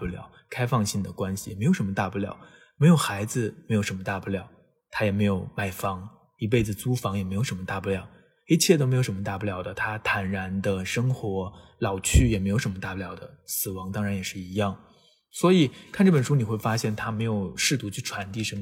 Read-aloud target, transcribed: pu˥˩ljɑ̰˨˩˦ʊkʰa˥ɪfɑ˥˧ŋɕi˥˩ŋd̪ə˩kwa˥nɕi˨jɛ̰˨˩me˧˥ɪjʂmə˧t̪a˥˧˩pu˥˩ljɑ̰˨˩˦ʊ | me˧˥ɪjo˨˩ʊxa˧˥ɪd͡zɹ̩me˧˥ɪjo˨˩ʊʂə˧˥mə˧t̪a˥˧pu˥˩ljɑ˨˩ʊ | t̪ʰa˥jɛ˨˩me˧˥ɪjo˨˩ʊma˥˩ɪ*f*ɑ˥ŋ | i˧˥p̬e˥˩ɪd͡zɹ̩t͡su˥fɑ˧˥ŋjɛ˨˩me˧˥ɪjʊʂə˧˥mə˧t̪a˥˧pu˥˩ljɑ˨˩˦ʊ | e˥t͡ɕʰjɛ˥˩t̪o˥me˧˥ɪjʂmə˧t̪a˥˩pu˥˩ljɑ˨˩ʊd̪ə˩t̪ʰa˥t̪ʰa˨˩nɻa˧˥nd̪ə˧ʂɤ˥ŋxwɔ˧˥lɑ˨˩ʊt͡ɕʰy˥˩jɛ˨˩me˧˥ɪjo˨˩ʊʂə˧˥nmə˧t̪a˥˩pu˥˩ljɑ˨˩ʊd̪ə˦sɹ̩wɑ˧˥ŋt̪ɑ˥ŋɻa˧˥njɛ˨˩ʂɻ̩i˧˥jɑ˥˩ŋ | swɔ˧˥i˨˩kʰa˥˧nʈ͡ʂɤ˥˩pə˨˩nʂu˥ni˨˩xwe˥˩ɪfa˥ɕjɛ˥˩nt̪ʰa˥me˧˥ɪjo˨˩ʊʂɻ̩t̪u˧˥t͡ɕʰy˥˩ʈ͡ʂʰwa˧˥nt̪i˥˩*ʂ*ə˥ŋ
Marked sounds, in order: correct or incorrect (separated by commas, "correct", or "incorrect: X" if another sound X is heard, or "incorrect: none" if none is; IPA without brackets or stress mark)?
correct, correct